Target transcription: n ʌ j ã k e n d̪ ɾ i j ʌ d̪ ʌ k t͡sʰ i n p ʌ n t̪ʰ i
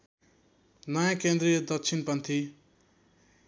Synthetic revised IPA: n ʌ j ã k e n d̪ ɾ i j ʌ d̪ ʌ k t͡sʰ i n p ʌ n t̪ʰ i